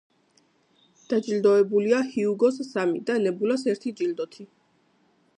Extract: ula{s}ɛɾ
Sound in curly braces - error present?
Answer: no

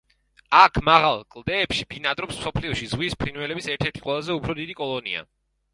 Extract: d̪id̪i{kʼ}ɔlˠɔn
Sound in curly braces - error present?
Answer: no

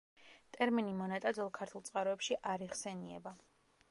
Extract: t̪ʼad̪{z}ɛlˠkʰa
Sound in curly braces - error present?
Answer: no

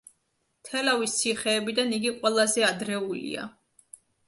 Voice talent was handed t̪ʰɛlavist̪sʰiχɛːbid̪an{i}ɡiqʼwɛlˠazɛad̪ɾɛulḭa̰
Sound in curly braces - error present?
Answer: no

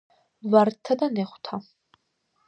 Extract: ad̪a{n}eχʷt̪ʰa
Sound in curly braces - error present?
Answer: no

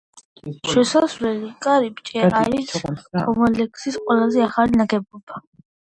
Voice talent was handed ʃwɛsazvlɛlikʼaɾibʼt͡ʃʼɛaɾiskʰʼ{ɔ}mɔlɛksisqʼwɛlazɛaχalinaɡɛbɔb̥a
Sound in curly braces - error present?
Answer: no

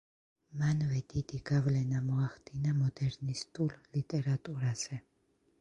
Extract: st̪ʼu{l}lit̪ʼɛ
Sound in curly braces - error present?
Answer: no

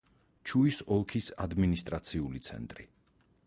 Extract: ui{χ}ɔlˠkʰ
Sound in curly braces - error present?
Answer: yes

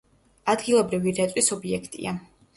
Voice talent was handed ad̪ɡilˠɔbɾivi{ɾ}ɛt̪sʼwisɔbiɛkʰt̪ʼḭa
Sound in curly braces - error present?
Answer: no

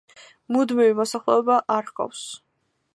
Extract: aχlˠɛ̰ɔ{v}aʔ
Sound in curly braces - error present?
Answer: yes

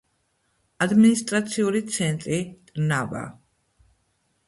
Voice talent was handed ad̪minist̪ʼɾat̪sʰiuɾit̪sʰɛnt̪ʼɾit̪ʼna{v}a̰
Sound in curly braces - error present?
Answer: no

